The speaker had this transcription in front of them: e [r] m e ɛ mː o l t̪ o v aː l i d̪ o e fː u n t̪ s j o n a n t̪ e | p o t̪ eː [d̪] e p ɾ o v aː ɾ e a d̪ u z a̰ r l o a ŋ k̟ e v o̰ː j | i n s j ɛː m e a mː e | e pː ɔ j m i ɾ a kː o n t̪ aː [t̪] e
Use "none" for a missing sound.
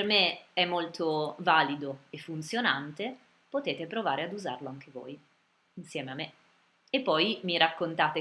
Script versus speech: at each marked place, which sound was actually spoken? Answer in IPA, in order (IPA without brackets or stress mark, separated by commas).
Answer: r, t̪, t̪